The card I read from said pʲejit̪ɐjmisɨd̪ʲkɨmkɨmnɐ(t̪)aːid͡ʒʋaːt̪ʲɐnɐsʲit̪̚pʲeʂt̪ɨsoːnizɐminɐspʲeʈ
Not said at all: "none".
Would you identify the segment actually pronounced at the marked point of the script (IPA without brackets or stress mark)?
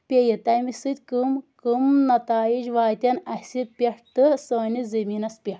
t̪